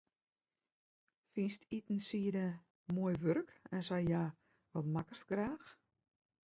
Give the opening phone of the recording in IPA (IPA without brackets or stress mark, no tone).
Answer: f